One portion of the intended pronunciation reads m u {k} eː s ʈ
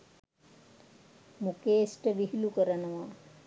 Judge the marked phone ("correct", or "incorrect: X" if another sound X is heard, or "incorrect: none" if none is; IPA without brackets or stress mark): correct